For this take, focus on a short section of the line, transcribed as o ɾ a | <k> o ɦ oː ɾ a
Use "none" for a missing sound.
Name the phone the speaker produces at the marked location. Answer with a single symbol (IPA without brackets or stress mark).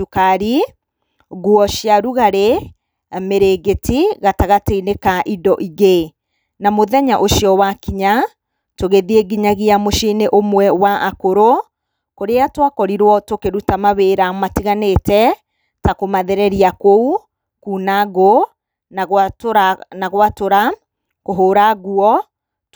k